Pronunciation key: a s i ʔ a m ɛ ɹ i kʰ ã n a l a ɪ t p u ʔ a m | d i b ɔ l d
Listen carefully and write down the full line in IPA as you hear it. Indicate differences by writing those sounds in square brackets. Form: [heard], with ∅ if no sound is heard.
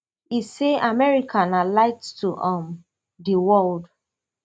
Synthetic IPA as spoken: [i] s [e] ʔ a m ɛ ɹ i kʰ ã n a l a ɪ t [t] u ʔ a m | d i [w] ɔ l d